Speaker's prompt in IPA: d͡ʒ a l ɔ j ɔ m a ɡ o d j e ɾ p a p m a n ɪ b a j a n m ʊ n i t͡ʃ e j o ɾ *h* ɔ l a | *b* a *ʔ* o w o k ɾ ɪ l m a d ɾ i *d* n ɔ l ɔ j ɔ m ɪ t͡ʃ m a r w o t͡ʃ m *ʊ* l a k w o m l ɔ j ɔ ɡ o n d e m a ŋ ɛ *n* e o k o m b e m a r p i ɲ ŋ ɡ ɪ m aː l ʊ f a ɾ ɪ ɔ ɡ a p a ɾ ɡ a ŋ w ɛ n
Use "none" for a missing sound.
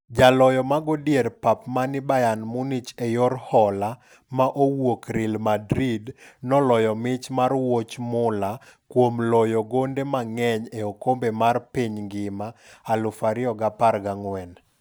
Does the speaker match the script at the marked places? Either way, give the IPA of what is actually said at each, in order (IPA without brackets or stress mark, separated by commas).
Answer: h, m, ʔ, d, ʊ, ɲ